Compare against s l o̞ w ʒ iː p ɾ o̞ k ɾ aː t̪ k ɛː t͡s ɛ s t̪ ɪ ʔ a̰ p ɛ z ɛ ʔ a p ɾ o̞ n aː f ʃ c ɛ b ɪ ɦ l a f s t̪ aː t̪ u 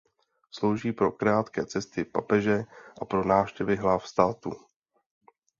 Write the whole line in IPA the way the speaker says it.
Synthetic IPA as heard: s l o̞ w ʒ iː p ɾ o̞ k ɾ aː t̪ k ɛː t͡s ɛ s t̪ ɪ p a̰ p ɛ ʒ ɛ ʔ a p ɾ o̞ n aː f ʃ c ɛ v ɪ ɦ l a f s t̪ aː t̪ u